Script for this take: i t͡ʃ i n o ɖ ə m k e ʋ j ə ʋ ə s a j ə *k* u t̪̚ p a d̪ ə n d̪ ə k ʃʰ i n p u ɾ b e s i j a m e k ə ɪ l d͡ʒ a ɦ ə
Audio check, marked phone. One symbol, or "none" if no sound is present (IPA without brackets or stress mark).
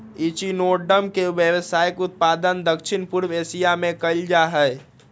k